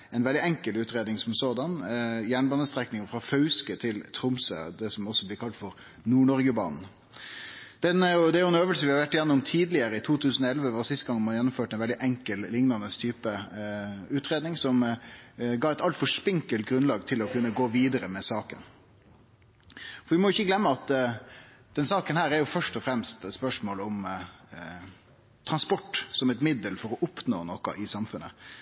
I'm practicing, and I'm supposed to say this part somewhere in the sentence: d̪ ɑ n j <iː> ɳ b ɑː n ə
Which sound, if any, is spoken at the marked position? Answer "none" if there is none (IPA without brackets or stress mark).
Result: æː